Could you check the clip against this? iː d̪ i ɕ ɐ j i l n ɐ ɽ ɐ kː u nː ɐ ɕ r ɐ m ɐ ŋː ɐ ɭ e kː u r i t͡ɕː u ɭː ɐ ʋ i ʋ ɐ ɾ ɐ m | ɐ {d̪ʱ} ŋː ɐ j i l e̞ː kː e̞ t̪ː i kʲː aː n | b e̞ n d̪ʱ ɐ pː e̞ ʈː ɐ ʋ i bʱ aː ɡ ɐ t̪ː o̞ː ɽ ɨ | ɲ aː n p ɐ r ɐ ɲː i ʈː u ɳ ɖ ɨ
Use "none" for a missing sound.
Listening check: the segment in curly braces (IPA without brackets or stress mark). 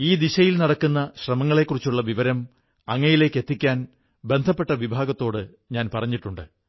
none